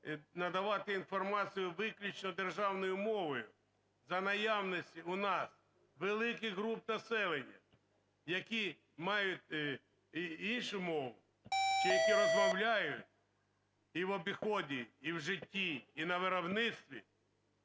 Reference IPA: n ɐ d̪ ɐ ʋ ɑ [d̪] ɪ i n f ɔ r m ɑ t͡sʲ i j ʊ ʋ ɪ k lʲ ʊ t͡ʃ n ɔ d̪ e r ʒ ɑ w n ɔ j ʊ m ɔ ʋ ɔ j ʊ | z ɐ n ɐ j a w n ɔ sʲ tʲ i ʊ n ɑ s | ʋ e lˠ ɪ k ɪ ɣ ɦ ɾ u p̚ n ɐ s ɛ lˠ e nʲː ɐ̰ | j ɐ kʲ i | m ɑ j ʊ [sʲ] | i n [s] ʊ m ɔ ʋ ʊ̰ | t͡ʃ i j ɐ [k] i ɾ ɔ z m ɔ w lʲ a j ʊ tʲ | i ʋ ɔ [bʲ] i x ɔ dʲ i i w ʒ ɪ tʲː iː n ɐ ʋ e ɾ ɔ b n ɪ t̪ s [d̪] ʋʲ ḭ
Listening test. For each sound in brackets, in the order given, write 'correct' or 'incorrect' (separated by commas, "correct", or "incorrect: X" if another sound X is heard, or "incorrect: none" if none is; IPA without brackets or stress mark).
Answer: incorrect: t̪, incorrect: tʲ, incorrect: ʃ, correct, correct, incorrect: t̪